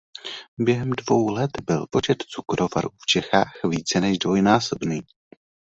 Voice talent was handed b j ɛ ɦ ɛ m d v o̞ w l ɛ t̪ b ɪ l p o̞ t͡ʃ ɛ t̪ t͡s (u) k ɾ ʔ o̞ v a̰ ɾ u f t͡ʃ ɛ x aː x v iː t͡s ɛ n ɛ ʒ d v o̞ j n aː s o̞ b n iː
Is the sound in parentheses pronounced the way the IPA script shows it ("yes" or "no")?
yes